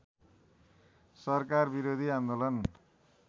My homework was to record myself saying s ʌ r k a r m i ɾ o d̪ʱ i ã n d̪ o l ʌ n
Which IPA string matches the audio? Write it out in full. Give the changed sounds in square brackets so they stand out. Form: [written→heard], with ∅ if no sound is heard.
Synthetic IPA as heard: s ʌ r k a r [m→b] i ɾ o d̪ʱ i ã n d̪ o l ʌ n